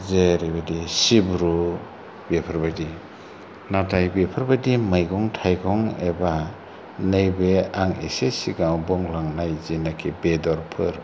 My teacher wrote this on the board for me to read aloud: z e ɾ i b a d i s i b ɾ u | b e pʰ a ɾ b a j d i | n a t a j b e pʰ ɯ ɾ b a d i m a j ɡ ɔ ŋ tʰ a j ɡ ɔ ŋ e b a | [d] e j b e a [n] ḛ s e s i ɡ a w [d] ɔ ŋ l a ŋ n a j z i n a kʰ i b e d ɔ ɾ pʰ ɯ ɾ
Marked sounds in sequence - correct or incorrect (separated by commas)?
incorrect, incorrect, incorrect